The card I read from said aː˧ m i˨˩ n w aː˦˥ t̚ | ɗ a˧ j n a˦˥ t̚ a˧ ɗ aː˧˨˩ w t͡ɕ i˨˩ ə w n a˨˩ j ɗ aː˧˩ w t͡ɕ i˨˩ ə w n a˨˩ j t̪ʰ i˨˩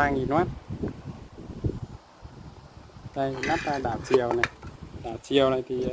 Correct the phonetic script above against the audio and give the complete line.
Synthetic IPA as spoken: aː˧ ŋ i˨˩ n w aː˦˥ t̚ | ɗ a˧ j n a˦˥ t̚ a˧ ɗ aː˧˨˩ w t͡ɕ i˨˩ ə w n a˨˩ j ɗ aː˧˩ w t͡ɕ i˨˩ ə w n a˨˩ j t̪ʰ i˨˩